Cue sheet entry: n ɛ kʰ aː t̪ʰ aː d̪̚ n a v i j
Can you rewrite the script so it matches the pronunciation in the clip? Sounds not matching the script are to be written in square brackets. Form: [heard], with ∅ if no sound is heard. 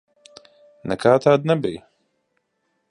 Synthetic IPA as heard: n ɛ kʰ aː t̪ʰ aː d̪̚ n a [b] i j